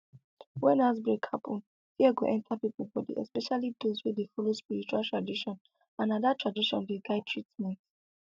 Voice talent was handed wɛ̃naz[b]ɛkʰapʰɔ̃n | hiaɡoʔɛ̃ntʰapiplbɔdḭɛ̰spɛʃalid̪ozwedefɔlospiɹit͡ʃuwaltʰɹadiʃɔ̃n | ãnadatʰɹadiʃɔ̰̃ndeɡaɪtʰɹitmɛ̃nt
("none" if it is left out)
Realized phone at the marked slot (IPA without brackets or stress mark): b